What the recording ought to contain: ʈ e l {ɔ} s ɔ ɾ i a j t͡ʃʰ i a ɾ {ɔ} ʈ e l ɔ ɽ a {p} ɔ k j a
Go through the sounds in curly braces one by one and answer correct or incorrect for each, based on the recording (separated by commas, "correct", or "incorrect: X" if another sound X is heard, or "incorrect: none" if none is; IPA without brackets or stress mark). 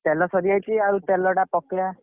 correct, incorrect: u, correct